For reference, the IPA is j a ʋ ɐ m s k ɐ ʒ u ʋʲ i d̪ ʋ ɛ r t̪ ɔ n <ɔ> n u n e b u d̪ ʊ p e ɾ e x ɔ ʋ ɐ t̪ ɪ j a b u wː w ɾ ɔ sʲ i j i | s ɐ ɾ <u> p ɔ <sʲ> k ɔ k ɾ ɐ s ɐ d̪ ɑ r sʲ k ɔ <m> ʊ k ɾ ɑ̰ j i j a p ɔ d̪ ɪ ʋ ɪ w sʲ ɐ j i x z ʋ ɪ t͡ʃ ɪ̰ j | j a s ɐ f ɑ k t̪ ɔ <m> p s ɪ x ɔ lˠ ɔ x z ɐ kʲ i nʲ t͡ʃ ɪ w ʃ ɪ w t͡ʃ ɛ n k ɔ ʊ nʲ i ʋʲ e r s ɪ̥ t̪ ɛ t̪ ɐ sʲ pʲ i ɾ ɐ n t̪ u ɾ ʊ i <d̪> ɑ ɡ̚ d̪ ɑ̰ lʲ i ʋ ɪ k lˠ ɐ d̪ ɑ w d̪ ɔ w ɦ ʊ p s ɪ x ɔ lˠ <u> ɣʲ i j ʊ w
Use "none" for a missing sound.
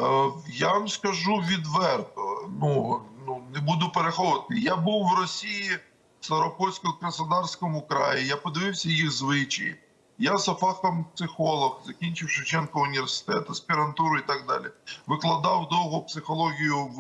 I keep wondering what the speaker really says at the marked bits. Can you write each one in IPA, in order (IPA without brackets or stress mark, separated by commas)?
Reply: u, ɔ, sʲ, m, m, t̪, ɔ